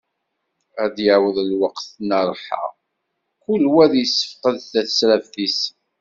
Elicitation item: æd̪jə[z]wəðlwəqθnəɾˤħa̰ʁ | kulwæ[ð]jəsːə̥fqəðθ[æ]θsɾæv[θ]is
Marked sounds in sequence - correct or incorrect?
incorrect: ʕ, correct, correct, correct

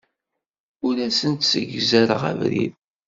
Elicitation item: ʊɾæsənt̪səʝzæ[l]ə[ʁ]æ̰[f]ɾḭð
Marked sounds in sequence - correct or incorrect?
incorrect: ɾ, correct, incorrect: v

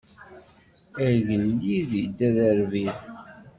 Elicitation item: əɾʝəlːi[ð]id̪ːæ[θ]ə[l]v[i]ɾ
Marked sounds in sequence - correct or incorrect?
correct, incorrect: ð, incorrect: ɾ, correct

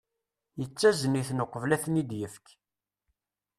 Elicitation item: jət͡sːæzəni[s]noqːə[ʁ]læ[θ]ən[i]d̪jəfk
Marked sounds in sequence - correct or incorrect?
incorrect: θ, incorrect: v, correct, correct

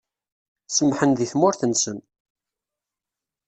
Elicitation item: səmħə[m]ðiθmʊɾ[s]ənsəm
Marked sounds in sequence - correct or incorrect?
incorrect: n, incorrect: θ

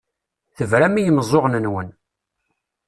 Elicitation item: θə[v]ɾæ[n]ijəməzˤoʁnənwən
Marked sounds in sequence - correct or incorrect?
correct, incorrect: m

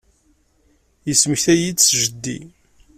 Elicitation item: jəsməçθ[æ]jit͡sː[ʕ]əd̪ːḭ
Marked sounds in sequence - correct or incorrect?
correct, incorrect: ʒ

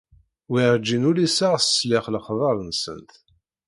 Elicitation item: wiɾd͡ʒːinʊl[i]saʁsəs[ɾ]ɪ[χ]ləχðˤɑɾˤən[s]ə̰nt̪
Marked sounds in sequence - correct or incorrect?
correct, incorrect: l, correct, correct

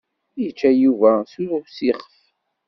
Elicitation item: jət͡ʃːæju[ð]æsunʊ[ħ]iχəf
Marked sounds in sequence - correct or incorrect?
incorrect: v, incorrect: s

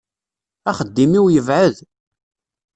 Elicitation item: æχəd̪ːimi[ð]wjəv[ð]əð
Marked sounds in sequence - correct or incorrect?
incorrect: none, incorrect: ʕ

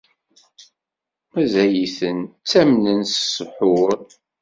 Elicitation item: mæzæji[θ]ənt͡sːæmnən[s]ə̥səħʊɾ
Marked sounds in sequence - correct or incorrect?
correct, correct

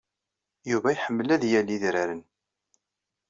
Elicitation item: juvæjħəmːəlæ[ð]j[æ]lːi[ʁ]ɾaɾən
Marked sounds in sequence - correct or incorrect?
correct, correct, incorrect: ð

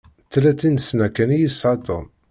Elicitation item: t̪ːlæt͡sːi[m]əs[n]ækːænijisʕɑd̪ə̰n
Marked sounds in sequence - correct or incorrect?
incorrect: n, correct

